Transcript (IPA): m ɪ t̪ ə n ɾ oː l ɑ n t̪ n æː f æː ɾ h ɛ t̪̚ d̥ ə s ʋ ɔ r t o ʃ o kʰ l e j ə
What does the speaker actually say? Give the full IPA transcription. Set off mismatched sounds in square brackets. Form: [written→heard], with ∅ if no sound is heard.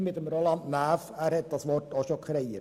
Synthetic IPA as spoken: m ɪ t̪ ə [n→m] ɾ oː l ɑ n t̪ n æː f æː ɾ h ɛ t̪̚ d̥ [ə→ɑ] s ʋ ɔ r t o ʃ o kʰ [l→ɾ] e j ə

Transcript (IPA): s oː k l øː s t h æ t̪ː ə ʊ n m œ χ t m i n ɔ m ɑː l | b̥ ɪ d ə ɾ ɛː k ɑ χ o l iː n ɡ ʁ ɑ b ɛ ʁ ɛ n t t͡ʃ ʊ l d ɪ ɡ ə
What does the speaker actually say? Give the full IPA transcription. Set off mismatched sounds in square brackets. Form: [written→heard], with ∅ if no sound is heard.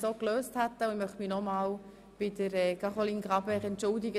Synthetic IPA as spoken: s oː k l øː s t h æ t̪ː ə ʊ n m œ χ t m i n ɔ m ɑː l | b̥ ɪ d ə ɾ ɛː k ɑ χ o l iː n ɡ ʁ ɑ b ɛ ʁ ɛ n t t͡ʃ ʊ l d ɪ ɡ ə

